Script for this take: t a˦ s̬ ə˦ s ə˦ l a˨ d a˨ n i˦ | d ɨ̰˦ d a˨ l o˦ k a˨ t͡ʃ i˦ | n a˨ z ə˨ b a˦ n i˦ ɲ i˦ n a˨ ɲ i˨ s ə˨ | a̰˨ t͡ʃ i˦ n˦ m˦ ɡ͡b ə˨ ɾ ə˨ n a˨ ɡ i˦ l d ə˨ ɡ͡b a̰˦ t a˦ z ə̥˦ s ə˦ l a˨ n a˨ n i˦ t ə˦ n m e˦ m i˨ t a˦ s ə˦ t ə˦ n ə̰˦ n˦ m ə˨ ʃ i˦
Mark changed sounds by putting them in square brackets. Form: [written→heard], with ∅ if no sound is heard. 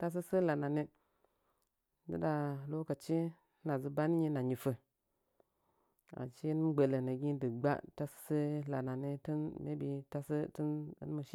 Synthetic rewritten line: t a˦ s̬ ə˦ s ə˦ l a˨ [d→n] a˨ n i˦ | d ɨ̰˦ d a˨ l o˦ k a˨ t͡ʃ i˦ | n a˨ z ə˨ b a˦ n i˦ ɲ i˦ n a˨ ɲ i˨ [s→f] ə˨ | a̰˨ t͡ʃ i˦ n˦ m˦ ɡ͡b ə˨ [ɾ→l] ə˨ n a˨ ɡ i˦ [l→∅] d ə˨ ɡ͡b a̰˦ t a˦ [z→s] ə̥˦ s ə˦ l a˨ n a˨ n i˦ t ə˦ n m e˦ [m→b] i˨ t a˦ s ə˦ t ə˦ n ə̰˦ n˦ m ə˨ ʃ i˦